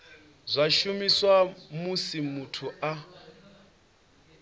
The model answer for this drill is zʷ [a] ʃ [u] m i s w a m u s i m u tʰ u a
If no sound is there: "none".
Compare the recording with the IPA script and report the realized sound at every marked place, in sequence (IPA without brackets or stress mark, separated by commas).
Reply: a, u